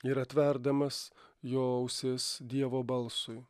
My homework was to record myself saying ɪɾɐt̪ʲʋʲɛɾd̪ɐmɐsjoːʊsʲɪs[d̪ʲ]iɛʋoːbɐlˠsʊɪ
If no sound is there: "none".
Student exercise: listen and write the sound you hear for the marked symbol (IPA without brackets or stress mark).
d̪ʲ